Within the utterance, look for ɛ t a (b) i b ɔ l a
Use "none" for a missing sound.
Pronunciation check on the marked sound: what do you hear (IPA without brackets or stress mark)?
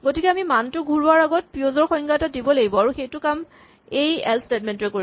d